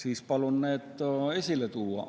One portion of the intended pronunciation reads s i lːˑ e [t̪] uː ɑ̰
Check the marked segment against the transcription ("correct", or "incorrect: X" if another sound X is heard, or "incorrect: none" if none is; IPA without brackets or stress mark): correct